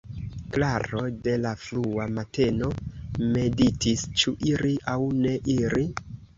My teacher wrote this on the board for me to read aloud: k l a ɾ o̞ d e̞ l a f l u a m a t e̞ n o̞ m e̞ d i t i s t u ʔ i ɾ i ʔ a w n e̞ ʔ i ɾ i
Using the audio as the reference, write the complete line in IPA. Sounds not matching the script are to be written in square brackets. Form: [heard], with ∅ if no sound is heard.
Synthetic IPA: k l a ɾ o̞ d e̞ l a f l u a m a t e̞ n o̞ m e̞ d i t i s [t͡ʃ] u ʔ i ɾ i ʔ a w n e̞ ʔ i ɾ i